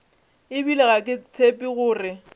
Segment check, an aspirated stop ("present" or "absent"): present